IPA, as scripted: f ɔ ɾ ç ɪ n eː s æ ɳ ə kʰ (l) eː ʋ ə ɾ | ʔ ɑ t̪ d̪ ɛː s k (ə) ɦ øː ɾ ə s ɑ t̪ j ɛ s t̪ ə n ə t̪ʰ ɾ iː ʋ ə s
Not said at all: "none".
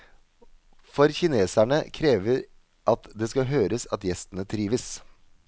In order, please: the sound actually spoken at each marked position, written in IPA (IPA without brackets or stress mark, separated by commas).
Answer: ɾ, ɑ